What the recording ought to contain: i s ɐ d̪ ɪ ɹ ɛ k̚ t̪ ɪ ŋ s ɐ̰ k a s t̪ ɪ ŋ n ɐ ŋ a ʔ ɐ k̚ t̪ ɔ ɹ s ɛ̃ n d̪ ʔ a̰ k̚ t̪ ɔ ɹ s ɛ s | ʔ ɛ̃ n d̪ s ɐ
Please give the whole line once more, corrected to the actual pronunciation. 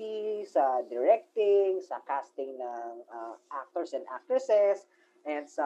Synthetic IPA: i s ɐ d̪ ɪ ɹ ɛ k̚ t̪ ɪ ŋ s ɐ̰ k a s t̪ ɪ ŋ n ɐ ŋ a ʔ a k̚ t̪ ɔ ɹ s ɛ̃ n d̪ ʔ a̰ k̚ t̪ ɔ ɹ s ɛ s | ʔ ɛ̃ n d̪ s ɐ